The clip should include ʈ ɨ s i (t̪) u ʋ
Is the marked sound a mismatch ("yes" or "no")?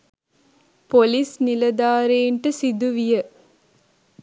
yes